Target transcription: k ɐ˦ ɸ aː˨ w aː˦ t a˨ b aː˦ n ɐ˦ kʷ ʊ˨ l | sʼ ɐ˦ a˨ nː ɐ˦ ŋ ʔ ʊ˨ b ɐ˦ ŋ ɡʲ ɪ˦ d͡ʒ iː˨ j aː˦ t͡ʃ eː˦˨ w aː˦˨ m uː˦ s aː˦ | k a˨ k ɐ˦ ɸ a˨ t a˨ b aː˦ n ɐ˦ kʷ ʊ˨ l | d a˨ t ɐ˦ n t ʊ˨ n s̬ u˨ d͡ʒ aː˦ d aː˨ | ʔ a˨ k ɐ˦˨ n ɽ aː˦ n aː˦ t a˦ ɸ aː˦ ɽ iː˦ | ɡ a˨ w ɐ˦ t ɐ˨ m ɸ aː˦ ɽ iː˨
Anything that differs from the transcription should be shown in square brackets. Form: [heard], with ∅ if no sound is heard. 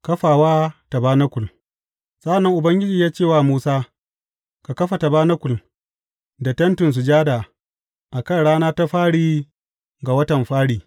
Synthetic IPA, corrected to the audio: k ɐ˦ ɸ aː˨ w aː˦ t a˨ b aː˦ n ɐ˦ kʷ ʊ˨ l | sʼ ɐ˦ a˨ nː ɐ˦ ŋ ʔ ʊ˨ b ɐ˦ ŋ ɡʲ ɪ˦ d͡ʒ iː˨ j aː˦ t͡ʃ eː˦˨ w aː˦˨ m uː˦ s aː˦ | k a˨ k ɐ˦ ɸ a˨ t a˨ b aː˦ n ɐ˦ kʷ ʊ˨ l | d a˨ t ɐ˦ n t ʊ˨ n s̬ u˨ d͡ʒ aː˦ d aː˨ | ʔ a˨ k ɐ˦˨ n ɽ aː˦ n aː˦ t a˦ ɸ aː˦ ɽ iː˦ | ɡ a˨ w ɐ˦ t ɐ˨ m ɸ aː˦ ɽ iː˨

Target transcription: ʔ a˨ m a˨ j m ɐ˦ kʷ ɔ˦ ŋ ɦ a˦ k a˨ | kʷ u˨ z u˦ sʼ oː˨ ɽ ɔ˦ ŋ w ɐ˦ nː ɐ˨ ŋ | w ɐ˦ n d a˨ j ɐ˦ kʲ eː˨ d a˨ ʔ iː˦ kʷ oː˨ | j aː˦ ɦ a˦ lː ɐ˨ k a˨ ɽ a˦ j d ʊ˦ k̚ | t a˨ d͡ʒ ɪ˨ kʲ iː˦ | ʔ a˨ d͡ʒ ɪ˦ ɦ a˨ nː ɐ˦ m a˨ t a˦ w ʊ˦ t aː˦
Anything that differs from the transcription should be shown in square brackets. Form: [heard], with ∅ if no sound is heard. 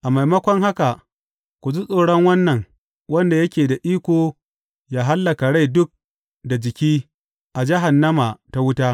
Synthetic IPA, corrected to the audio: ʔ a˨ m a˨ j m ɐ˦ kʷ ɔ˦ ŋ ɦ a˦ k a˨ | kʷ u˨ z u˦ sʼ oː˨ ɽ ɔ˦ ŋ w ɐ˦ nː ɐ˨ ŋ | w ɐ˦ n d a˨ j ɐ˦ kʲ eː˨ d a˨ ʔ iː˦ kʷ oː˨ | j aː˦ ɦ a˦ lː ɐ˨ k a˨ ɽ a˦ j d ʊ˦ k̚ | [d] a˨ d͡ʒ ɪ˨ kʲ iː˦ | ʔ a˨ d͡ʒ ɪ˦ ɦ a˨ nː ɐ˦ m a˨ t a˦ w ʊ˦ t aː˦

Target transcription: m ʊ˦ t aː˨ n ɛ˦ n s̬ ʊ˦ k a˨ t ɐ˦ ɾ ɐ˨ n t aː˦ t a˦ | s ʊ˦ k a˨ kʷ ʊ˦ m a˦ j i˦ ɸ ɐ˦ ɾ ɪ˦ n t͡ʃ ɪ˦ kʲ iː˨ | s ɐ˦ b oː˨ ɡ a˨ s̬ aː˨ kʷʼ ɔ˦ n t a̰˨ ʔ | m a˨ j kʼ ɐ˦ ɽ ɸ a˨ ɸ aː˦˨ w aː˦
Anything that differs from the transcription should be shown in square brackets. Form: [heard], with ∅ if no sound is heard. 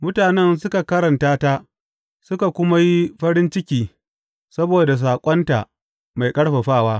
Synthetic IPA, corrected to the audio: m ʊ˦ t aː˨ n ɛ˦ n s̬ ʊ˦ k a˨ [k] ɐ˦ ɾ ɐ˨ n t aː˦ t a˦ | s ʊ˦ k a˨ kʷ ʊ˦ m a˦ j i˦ ɸ ɐ˦ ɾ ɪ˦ n t͡ʃ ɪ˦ kʲ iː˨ | s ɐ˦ b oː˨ [d] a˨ s̬ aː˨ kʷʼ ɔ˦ n t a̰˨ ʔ | m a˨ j kʼ ɐ˦ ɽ ɸ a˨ ɸ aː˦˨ w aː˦

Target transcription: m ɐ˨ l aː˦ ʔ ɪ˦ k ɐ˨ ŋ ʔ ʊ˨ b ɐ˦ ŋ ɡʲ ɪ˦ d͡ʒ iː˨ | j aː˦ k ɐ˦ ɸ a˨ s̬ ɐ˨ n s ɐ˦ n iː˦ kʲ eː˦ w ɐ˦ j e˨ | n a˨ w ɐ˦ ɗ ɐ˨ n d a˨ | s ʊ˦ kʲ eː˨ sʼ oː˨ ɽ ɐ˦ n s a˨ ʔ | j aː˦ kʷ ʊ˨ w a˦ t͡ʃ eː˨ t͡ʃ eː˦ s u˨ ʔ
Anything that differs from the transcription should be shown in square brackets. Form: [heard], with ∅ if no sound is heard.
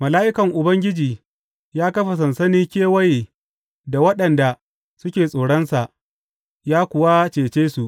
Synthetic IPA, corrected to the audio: m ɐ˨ l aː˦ ʔ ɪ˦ k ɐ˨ ŋ ʔ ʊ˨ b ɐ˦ ŋ ɡʲ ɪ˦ d͡ʒ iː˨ | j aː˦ k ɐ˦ ɸ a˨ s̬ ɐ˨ n s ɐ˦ n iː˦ kʲ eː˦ w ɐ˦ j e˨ | [d] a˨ w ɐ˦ ɗ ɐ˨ n d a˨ | s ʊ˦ kʲ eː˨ sʼ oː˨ ɽ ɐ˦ n s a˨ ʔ | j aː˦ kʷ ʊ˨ w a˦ t͡ʃ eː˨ t͡ʃ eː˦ s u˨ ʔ

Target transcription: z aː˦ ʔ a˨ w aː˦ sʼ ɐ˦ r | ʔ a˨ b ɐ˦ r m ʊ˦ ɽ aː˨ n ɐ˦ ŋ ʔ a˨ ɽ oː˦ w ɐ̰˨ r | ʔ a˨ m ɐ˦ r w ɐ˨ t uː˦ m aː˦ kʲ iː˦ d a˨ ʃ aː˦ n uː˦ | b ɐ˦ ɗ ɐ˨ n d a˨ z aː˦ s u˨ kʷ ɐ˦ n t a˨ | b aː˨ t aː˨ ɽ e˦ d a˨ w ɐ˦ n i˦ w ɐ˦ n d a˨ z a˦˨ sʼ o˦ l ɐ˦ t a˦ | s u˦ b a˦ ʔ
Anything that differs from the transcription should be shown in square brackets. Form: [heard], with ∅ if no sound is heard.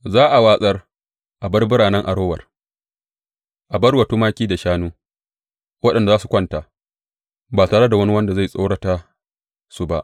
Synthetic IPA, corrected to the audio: z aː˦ ʔ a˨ w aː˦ sʼ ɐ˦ r | ʔ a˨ b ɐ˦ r [b] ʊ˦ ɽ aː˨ n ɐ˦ ŋ ʔ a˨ ɽ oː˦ w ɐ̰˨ r | ʔ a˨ [b] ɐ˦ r w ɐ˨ t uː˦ m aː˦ kʲ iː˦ d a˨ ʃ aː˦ n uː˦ | [w] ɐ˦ ɗ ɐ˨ n d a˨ z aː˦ s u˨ kʷ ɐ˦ n t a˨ | b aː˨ t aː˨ ɽ e˦ d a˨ w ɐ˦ n i˦ w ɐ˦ n d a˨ z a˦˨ sʼ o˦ [ɽ] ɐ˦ t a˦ | s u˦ b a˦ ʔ

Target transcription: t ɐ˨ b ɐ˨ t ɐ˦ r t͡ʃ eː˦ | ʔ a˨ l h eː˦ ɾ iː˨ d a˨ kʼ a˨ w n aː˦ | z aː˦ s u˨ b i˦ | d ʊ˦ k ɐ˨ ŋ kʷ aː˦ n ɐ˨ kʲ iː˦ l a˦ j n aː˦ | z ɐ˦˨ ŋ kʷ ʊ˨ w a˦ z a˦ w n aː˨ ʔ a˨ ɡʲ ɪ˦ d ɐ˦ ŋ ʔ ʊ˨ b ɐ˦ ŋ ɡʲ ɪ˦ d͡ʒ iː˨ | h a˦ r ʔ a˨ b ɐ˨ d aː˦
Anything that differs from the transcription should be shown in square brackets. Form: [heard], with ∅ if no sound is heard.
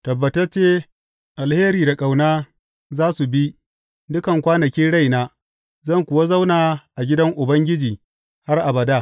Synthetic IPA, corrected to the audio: t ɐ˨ [bː] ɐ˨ t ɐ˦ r t͡ʃ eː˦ | ʔ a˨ l h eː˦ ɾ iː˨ d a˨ kʼ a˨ w n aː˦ | z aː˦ s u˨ b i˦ | d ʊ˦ k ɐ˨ ŋ kʷ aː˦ n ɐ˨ kʲ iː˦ [ɽ] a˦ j n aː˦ | z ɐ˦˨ ŋ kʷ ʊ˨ w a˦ z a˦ w n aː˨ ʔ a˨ ɡʲ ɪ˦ d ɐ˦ ŋ ʔ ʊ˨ b ɐ˦ ŋ ɡʲ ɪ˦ d͡ʒ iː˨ | h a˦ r ʔ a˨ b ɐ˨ d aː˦

